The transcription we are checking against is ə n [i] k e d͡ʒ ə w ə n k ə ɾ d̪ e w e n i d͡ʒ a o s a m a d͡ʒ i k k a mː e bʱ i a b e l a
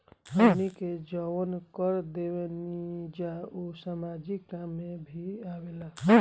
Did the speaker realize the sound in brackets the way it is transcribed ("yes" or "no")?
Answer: yes